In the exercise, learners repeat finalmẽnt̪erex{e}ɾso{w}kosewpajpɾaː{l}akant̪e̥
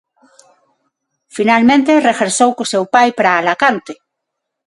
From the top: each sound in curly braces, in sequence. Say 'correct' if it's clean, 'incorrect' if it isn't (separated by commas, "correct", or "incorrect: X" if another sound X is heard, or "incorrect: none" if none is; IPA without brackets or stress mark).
correct, correct, correct